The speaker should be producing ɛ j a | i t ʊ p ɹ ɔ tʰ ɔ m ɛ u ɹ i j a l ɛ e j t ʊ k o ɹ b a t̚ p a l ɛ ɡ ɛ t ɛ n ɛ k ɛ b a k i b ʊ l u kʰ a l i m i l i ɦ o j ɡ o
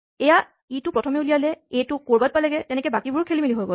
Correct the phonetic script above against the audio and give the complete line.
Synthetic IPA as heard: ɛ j a | i t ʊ p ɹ ɔ tʰ ɔ m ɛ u l i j a l ɛ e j t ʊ k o ɹ b a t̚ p a l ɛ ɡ ɛ t ɛ n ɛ k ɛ b a k i b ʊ ɹ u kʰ e l i m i l i ɦ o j ɡ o